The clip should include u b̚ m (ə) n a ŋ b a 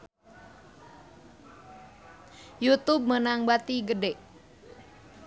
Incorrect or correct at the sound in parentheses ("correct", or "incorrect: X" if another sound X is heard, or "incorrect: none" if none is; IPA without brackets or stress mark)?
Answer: correct